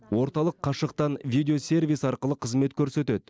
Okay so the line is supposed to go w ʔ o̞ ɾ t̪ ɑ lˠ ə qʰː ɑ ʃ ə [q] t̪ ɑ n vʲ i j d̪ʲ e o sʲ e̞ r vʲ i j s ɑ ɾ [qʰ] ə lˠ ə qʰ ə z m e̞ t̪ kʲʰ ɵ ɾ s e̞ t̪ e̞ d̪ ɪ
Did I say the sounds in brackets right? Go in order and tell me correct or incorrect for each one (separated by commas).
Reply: correct, incorrect